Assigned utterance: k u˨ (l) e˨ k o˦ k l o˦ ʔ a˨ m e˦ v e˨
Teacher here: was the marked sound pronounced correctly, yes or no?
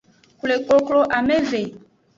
yes